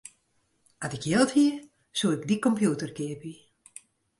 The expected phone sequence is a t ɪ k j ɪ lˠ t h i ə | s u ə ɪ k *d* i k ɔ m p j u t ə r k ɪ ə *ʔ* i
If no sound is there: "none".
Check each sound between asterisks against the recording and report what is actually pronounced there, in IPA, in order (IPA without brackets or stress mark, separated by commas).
d, p